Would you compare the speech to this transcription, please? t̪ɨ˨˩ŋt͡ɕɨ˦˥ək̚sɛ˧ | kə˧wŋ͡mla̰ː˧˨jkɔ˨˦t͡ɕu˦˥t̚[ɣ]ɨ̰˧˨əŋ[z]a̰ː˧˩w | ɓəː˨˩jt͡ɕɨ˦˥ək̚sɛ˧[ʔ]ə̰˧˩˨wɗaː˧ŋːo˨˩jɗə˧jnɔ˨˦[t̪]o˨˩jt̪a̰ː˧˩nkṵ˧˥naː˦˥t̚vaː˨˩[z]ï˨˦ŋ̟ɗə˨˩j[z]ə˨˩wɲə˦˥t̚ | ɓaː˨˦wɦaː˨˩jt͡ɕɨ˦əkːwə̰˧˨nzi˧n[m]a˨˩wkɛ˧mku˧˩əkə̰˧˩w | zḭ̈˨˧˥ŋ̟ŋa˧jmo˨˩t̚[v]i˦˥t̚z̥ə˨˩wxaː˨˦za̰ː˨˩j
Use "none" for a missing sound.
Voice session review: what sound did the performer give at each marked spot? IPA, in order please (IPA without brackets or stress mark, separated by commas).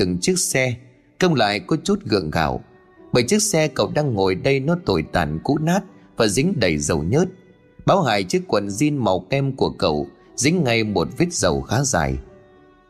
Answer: ɣ, ɣ, k, t̪, z, z, m, v